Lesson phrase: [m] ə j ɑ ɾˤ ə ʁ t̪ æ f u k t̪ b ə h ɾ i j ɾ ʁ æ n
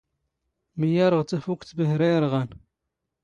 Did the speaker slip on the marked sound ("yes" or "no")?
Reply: no